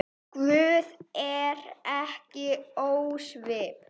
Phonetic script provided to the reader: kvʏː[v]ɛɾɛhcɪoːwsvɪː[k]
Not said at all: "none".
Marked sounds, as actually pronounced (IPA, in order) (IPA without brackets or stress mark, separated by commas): ð, p